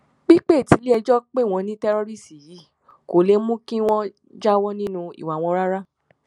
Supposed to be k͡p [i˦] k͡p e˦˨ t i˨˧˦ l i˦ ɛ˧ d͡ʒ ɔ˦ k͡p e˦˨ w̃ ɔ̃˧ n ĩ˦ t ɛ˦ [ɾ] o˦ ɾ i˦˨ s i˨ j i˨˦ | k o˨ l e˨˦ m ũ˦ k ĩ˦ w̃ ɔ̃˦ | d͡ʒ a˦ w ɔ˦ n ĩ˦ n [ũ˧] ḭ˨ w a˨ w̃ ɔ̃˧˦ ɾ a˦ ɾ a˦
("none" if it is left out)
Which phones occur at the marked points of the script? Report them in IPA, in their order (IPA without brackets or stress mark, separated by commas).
i˦, ɾ, ũ˧